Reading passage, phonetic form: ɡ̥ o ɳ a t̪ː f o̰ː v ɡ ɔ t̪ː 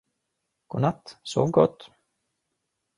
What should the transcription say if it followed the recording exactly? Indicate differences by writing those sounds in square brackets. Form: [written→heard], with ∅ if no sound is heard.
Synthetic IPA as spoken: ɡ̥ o [ɳ→n] a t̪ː [f→s] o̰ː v ɡ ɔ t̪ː